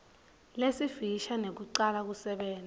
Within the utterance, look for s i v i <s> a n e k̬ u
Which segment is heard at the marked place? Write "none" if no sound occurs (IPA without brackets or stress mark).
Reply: ʃ